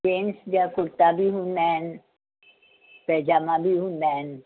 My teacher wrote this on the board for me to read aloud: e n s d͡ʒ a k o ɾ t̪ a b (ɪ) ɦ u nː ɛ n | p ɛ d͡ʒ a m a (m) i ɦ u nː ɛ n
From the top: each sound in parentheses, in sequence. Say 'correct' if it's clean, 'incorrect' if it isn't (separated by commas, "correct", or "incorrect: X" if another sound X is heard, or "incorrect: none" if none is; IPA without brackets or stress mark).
incorrect: i, incorrect: b